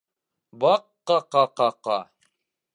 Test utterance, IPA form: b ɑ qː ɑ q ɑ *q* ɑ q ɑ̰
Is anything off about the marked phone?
no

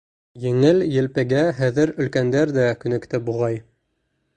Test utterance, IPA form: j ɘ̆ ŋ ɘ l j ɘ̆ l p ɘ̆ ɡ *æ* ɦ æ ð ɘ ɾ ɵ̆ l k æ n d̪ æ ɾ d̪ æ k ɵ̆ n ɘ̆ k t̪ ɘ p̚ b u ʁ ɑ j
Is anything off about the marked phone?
no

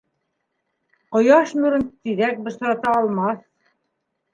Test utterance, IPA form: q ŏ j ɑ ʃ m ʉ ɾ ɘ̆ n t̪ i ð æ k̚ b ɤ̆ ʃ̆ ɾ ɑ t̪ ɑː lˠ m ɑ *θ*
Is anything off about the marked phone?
no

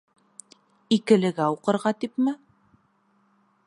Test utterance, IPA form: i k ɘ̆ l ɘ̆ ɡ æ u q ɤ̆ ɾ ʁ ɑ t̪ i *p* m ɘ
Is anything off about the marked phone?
no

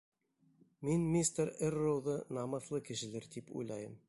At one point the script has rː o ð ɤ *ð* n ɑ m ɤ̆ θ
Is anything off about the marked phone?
yes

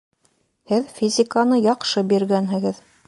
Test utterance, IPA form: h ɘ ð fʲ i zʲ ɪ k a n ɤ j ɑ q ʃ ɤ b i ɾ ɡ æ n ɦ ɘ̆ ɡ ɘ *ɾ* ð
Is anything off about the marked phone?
yes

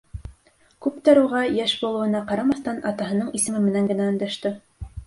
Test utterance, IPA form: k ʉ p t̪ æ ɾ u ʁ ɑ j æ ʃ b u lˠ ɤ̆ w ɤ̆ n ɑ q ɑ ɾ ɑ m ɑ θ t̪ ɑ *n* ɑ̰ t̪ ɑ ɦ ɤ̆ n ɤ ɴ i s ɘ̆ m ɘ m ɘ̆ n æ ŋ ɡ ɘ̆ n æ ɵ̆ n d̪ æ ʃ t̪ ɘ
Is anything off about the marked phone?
no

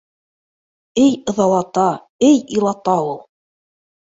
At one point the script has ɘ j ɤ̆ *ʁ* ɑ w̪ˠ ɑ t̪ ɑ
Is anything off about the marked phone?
yes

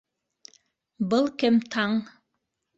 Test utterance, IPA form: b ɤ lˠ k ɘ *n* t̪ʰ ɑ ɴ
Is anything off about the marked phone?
yes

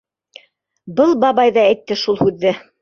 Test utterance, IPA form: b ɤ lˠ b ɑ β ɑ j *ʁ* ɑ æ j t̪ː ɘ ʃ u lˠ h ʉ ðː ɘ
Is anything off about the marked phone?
yes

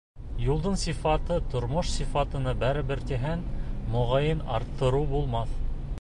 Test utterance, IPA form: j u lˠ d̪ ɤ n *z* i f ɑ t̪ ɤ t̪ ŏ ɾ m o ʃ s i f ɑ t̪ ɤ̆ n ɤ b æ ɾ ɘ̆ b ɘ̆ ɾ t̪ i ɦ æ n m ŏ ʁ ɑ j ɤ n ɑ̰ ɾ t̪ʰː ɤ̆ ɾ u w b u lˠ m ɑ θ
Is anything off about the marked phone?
yes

